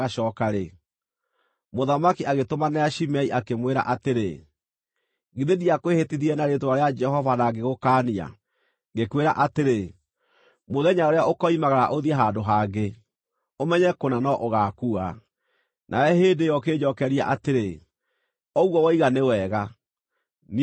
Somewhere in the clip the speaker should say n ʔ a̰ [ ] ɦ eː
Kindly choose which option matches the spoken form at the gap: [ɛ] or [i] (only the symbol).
ɛ